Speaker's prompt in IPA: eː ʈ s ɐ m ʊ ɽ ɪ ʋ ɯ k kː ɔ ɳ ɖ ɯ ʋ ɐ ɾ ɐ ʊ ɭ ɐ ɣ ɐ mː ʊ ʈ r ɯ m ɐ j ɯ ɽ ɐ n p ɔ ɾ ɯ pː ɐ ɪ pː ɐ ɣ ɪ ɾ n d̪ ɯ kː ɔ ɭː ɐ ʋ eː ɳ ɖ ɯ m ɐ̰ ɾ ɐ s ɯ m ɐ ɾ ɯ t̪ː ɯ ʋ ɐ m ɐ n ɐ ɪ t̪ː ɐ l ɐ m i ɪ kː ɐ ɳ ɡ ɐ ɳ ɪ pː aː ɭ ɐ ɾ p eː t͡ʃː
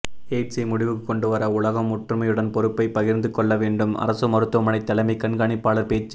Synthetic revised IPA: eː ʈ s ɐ m ʊ ɽ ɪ ʋ ɯ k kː ɔ ɳ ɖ ɯ ʋ ɐ ɾ ɐ ʊ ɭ ɐ ɣ ɐ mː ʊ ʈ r ɯ m ɐ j ɯ ɽ ɐ n p ɔ ɾ ɯ pː ɐ ɪ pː ɐ ɣ ɪ ɾ n d̪ ɯ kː ɔ ɭː ɐ ʋ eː ɳ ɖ ɯ m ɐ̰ ɾ ɐ s ɯ m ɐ ɾ ɯ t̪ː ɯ ʋ ɐ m ɐ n ɐ ɪ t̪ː ɐ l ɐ m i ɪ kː ɐ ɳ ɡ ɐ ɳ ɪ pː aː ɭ ɐ ɾ p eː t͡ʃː